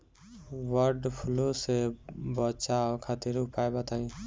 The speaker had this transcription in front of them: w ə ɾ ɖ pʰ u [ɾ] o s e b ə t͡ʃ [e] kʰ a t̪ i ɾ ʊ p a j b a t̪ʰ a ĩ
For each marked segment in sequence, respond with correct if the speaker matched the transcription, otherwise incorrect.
incorrect, incorrect

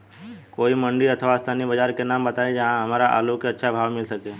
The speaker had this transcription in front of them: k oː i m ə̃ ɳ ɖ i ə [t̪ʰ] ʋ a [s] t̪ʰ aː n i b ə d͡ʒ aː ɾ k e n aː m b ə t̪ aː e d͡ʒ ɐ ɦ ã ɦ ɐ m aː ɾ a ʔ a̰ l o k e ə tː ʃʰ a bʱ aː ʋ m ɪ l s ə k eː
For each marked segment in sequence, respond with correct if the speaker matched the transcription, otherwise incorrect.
correct, correct

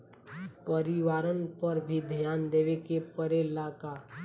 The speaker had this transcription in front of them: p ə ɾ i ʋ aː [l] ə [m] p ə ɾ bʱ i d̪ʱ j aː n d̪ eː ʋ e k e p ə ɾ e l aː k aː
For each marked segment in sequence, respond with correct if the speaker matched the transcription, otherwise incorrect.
incorrect, incorrect

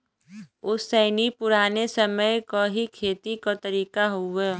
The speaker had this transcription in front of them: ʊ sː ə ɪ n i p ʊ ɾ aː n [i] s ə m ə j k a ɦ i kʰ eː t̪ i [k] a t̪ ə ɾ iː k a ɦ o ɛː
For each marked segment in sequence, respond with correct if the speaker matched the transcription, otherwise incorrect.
incorrect, correct

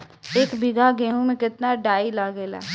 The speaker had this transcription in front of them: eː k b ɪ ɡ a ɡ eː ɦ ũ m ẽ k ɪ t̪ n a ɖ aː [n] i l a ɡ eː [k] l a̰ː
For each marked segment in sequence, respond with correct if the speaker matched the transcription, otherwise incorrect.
incorrect, incorrect

